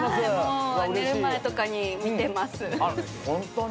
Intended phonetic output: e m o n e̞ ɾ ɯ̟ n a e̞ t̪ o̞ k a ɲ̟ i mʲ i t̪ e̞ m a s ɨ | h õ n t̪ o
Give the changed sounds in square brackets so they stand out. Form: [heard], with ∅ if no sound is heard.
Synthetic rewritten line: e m o n e̞ ɾ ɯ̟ [m] a e̞ t̪ o̞ k a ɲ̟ i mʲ i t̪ e̞ m a s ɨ | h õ n t̪ o

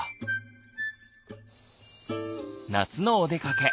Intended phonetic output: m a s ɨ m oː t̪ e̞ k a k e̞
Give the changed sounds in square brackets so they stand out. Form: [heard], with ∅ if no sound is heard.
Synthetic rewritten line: [n] a [t͡s] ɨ [n] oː [d̪] e̞ k a k e̞

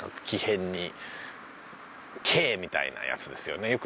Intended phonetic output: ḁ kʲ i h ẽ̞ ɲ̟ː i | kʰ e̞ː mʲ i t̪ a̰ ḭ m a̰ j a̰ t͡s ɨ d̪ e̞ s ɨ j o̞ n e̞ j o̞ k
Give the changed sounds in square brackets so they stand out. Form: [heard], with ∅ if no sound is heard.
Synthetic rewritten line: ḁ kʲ i h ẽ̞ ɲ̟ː i | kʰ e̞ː mʲ i t̪ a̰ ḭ [n] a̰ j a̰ t͡s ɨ d̪ e̞ s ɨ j o̞ n e̞ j o̞ k

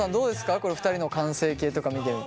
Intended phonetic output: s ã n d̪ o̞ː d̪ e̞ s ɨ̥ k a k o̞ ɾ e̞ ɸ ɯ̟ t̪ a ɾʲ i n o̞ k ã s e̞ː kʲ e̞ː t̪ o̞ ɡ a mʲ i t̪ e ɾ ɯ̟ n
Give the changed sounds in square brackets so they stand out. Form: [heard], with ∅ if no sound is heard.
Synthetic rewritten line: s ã n d̪ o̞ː d̪ e̞ s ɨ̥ k a k o̞ ɾ e̞ ɸ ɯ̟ t̪ a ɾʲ i n o̞ k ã s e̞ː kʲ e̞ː t̪ o̞ [k] a mʲ i t̪ e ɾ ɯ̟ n

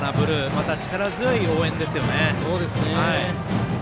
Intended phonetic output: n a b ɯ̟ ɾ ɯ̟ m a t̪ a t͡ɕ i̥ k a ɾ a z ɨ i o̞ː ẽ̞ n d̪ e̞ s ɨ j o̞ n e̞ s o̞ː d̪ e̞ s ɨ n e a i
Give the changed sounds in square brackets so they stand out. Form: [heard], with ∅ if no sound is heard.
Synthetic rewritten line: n a b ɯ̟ ɾ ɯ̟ m a t̪ a t͡ɕ i̥ k a ɾ a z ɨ i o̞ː ẽ̞ n d̪ e̞ s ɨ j o̞ n e̞ s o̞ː d̪ e̞ s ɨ n e a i

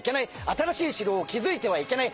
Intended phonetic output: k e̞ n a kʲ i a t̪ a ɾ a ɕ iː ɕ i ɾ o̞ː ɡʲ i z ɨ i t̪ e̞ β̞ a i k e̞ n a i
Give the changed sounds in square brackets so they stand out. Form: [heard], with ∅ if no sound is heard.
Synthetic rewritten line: k e̞ n a [∅] i a t̪ a ɾ a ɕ iː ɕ i ɾ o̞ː [kʲ] i z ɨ i t̪ e̞ β̞ a i k e̞ n a i

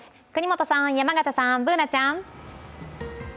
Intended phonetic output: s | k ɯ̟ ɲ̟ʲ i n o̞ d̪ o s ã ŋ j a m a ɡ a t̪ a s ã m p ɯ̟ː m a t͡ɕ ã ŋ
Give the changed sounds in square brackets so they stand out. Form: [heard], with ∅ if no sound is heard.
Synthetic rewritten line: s | k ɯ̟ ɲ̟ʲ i [m] o̞ [t̪] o s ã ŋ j a m a ɡ a t̪ a s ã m [b] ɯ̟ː [n] a t͡ɕ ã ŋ

